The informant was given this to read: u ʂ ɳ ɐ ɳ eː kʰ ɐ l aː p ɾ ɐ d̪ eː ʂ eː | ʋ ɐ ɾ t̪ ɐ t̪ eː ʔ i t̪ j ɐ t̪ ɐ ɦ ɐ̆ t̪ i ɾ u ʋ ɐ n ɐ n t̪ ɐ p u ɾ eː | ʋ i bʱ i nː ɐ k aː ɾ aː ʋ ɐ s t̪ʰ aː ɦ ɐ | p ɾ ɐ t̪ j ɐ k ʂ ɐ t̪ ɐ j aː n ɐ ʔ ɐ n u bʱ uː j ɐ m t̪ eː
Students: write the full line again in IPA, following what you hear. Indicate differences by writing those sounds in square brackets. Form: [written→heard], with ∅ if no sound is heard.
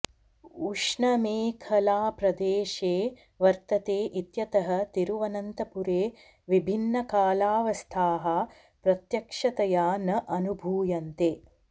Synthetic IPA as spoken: u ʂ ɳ ɐ [ɳ→m] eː kʰ ɐ l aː p ɾ ɐ d̪ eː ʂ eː | ʋ ɐ ɾ t̪ ɐ t̪ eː ʔ i t̪ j ɐ t̪ ɐ ɦ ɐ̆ t̪ i ɾ u ʋ ɐ n ɐ n t̪ ɐ p u ɾ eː | ʋ i bʱ i nː ɐ k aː [ɾ→l] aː ʋ ɐ s t̪ʰ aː ɦ ɐ | p ɾ ɐ t̪ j ɐ k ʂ ɐ t̪ ɐ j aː n ɐ ʔ ɐ n u bʱ uː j ɐ [m→n] t̪ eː